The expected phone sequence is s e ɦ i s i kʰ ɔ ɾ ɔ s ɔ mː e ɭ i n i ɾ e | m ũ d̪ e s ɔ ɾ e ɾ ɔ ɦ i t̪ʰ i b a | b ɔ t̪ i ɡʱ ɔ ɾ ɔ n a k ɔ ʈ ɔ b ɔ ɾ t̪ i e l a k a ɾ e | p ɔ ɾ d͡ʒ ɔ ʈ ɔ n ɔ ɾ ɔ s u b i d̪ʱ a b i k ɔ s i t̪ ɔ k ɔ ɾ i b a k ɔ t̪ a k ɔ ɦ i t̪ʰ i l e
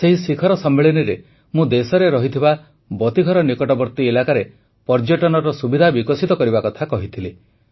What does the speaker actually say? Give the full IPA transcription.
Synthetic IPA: s e ɦ i s i kʰ ɔ ɾ ɔ s ɔ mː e ɭ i n i ɾ e | m ũ d̪ e s ɔ ɾ e ɾ ɔ ɦ i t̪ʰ i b a | b ɔ t̪ i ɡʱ ɔ ɾ ɔ n i k ɔ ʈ ɔ b ɔ ɾ t̪ i e l a k a ɾ e | p ɔ ɾ d͡ʒ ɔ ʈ ɔ n ɔ ɾ ɔ s u b i d̪ʱ a b i k ɔ s i t̪ ɔ k ɔ ɾ i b a k ɔ t̪ʰ a k ɔ ɦ i t̪ʰ i l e